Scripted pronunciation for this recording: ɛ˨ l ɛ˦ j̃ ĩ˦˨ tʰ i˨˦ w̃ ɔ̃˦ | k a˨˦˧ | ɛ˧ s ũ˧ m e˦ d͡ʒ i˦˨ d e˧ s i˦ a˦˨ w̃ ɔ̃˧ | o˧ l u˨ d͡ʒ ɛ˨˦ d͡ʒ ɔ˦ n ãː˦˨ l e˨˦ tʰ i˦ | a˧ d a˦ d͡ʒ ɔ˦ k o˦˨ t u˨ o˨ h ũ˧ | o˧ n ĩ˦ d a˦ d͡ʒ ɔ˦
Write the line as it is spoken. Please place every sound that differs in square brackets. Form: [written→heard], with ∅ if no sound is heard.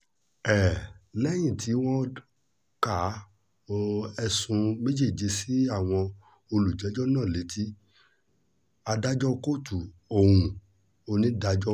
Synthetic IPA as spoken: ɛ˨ l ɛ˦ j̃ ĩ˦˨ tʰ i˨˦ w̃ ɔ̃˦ | k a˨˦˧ | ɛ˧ s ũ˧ m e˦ d͡ʒ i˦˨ [d→d͡ʒ] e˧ s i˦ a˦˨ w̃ ɔ̃˧ | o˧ l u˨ d͡ʒ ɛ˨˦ d͡ʒ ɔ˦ n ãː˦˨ l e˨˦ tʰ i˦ | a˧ d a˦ d͡ʒ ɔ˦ k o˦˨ t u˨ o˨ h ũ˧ | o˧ n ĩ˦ d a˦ d͡ʒ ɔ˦

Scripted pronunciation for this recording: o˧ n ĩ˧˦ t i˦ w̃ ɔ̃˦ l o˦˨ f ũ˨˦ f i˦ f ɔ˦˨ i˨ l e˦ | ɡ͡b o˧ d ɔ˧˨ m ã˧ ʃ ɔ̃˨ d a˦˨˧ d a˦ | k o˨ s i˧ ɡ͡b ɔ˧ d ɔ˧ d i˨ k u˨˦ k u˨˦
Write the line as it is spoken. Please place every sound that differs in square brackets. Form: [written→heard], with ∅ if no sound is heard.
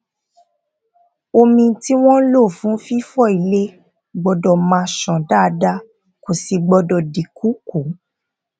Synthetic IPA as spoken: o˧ [n→m] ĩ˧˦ t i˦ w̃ ɔ̃˦ l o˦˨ f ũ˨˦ f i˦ f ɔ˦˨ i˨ l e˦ | ɡ͡b [o˧→ɔ˧] d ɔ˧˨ m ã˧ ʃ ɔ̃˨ d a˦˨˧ d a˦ | k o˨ s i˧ ɡ͡b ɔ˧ d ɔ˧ d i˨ k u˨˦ k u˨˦

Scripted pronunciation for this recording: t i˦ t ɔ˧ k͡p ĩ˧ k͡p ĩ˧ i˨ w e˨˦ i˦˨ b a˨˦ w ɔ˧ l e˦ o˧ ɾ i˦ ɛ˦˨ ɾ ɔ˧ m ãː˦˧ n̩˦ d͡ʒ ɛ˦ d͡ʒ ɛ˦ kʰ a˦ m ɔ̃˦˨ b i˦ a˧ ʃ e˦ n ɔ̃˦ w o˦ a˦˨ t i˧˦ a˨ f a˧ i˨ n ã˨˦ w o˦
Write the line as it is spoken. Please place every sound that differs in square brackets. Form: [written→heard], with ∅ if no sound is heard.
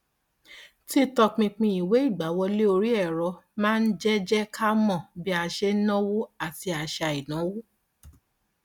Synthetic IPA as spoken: t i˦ t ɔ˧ k͡p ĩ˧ k͡p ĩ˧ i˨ w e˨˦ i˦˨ [b→ɡ͡b] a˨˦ w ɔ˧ l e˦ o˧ ɾ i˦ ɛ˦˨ ɾ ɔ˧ m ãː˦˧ n̩˦ d͡ʒ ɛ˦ d͡ʒ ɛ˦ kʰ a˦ m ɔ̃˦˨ b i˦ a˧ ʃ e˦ n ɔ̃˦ w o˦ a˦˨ t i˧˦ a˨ [f→ʃ] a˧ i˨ n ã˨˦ w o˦

